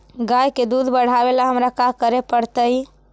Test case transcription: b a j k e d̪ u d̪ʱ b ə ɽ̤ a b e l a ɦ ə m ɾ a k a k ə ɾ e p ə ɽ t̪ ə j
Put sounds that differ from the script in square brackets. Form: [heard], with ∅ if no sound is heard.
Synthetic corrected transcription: [ɡ] a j k e d̪ u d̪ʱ b ə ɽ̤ a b e l a ɦ ə m ɾ a k a k ə ɾ e p ə ɽ t̪ ə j